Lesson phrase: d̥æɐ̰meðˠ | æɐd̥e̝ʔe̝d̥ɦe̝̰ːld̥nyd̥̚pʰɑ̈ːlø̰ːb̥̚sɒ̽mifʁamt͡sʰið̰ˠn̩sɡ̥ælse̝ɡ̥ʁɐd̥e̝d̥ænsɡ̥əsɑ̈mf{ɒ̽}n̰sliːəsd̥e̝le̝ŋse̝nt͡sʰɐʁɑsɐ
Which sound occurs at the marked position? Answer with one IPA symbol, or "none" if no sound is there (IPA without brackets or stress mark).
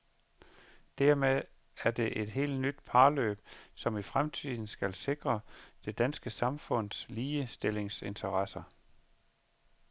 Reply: ɔ̽